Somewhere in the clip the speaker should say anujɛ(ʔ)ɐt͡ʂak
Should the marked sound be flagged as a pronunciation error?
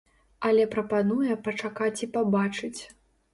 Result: yes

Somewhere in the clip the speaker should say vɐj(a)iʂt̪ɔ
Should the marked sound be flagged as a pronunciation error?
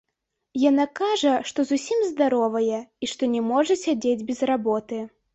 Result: yes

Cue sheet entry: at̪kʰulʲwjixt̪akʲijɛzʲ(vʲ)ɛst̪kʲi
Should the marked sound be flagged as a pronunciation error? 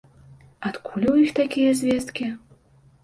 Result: no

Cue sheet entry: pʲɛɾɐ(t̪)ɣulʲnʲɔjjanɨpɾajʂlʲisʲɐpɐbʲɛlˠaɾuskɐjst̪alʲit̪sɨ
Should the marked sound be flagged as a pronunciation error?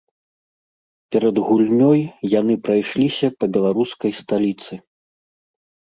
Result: yes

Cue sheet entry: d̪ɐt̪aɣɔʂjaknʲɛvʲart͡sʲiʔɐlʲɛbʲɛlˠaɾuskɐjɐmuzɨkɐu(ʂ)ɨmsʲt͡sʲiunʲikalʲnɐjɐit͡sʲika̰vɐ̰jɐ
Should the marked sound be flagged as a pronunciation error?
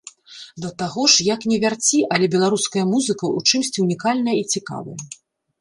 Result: yes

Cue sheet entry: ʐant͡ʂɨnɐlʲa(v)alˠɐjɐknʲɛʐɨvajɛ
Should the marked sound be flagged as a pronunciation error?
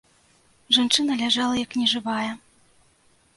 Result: yes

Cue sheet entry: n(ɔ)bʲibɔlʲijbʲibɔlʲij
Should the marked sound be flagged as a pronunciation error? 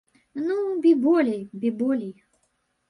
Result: yes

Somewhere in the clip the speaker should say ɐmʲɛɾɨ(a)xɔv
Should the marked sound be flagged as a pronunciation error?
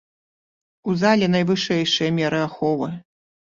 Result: no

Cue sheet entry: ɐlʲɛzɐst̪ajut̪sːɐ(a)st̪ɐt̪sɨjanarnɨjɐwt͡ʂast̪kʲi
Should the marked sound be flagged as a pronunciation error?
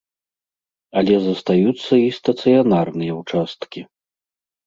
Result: yes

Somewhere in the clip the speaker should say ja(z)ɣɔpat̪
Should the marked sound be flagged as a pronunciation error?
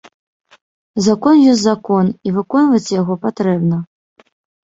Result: yes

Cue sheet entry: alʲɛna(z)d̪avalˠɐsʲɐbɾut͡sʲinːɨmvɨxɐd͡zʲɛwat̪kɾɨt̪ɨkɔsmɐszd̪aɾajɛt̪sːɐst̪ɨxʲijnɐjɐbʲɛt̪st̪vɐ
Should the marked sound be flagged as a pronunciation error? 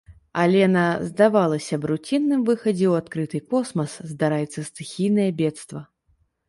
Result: no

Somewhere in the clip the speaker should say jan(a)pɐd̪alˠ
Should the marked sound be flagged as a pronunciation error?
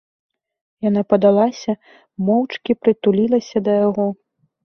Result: no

